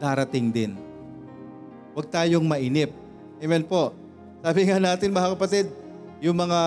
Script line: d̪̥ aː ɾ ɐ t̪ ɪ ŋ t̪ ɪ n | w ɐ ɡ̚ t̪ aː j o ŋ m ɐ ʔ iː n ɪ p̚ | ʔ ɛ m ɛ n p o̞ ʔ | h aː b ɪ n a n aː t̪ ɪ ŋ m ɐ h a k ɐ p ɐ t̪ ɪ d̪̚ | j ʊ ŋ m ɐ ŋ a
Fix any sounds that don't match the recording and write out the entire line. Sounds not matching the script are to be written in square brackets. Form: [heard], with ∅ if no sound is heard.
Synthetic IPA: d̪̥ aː ɾ ɐ t̪ ɪ ŋ [d̪] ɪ n | w ɐ ɡ̚ t̪ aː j o ŋ m ɐ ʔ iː n ɪ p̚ | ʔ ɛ m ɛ n p o̞ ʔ | [s] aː b ɪ [ŋ] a n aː t̪ ɪ [n] m ɐ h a k ɐ p ɐ t̪ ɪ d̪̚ | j ʊ ŋ m ɐ ŋ a